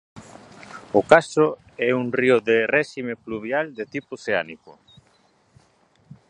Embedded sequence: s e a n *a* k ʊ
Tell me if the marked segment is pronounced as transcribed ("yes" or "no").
no